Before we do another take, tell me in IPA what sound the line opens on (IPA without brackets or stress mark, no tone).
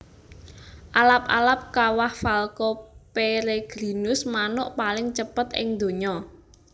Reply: ʔ